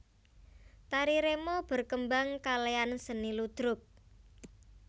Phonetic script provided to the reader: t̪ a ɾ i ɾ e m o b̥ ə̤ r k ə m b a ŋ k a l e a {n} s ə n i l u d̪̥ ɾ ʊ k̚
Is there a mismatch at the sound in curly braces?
no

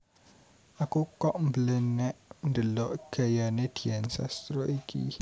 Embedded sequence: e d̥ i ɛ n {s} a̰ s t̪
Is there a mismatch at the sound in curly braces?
no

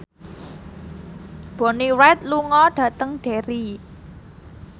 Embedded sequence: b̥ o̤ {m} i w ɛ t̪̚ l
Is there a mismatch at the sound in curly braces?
yes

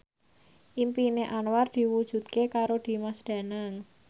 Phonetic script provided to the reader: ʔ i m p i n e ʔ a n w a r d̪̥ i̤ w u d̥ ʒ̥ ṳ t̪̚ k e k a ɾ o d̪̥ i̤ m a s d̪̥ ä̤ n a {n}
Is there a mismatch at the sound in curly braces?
yes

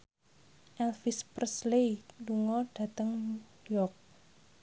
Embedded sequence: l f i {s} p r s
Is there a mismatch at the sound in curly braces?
no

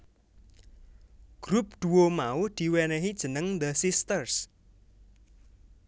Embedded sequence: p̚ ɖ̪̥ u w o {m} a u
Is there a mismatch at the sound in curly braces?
no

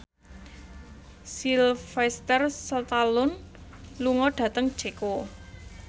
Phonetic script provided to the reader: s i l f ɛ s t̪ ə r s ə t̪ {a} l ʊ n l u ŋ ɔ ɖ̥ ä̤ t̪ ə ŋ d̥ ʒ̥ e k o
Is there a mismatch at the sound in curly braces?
no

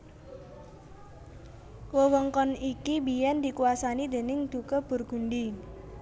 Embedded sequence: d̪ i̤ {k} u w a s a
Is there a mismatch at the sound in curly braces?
no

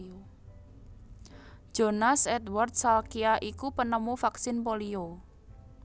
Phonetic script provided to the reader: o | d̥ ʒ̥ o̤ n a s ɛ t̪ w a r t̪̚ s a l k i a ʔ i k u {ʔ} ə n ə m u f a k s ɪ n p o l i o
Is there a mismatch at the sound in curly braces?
yes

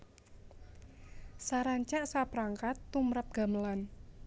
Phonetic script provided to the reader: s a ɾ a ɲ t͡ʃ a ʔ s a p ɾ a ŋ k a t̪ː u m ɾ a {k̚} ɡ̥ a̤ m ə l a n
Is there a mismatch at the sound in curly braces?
yes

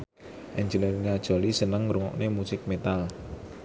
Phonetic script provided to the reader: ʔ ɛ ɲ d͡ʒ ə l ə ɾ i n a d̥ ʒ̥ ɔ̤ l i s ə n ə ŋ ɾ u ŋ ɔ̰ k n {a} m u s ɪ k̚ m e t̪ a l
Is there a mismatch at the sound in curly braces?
yes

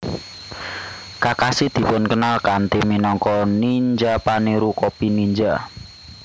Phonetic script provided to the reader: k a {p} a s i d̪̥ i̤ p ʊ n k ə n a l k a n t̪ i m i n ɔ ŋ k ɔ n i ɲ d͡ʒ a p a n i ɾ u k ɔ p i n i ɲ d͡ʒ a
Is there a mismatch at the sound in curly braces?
yes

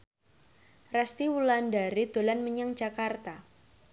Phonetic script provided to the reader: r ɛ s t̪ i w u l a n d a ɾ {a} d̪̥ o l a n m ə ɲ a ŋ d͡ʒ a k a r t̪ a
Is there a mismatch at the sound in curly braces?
yes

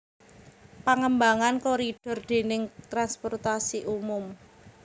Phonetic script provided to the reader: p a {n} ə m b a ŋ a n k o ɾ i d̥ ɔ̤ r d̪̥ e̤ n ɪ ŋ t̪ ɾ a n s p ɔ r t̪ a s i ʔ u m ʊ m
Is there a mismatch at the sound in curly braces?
yes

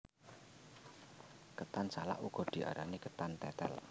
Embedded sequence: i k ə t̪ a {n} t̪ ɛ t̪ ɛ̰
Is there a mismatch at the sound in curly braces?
no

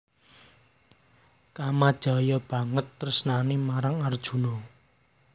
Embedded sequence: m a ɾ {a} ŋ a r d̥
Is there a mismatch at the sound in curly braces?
no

